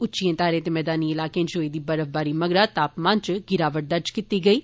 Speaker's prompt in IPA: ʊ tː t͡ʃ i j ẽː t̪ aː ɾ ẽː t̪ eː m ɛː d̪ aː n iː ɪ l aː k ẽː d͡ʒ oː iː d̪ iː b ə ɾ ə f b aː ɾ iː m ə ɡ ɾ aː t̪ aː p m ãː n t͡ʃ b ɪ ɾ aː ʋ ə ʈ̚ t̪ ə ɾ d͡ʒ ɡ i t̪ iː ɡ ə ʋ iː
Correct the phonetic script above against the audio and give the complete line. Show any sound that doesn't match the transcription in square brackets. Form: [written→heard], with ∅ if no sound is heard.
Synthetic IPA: ʊ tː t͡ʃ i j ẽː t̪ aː ɾ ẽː t̪ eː m ɛː d̪ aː n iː ɪ l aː k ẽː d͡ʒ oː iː d̪ iː b ə ɾ ə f b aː ɾ iː m ə ɡ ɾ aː t̪ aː p m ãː n t͡ʃ [b→ɡ] ɪ ɾ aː ʋ ə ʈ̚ [t̪→d̪] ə ɾ d͡ʒ [ɡ→k] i t̪ iː ɡ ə [ʋ→∅] iː